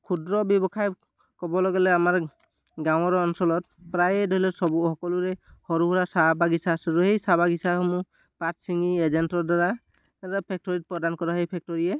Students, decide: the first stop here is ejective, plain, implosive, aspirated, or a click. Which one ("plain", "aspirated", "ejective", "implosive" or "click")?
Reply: aspirated